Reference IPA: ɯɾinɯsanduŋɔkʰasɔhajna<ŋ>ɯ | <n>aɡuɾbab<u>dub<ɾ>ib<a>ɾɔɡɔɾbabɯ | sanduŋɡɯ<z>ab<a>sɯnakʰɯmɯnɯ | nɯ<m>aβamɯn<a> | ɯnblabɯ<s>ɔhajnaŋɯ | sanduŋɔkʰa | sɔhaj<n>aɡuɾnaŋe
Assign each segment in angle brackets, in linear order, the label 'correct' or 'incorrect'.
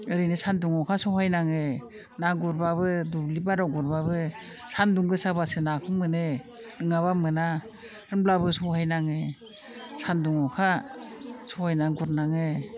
correct, correct, incorrect, incorrect, correct, incorrect, correct, incorrect, correct, correct, correct

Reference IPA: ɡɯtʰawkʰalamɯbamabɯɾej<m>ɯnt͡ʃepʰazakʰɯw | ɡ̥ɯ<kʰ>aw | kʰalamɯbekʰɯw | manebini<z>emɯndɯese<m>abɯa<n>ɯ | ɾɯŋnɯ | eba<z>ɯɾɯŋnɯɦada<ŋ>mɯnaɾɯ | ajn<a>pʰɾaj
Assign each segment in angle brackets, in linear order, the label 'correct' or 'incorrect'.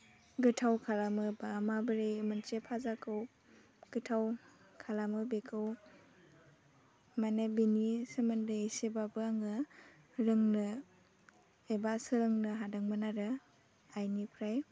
correct, incorrect, incorrect, incorrect, incorrect, incorrect, correct, incorrect

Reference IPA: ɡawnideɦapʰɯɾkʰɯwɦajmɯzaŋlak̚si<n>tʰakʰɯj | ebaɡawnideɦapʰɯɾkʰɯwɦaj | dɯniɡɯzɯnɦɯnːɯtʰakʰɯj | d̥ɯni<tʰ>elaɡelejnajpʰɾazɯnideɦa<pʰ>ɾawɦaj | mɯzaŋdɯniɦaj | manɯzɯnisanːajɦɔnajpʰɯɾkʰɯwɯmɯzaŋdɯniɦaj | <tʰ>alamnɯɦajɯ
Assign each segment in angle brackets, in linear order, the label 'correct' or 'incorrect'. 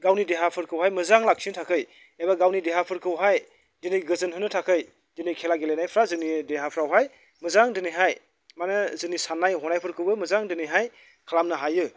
correct, incorrect, correct, incorrect

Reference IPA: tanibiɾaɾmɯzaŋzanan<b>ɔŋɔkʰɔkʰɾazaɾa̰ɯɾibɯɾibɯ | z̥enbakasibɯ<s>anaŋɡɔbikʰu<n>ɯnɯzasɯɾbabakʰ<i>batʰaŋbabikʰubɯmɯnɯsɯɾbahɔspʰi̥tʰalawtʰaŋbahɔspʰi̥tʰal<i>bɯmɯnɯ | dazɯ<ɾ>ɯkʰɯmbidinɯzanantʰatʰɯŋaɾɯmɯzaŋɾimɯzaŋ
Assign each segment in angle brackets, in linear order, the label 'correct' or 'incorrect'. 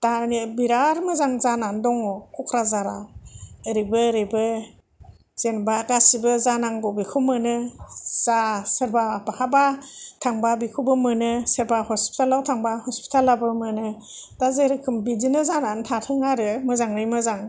incorrect, incorrect, incorrect, incorrect, incorrect, correct

